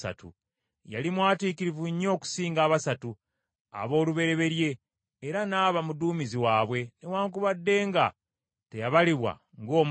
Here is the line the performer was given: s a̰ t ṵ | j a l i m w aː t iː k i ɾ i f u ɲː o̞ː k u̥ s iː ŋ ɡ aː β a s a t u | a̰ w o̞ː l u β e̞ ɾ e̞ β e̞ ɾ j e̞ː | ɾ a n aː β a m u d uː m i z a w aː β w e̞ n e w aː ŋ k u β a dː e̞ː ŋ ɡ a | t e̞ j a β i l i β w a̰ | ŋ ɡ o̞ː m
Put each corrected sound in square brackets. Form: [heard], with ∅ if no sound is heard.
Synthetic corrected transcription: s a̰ t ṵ | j a l i m w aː t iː k i ɾ i [v] u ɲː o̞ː k u̥ s iː ŋ ɡ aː β a s a t u | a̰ [β] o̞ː l u β e̞ ɾ e̞ β e̞ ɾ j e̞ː | ɾ a n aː β a m u d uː m i z [i] w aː β w e̞ n e w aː ŋ k u β a dː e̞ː ŋ ɡ a | t e̞ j a β [a] l i β w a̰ | ŋ ɡ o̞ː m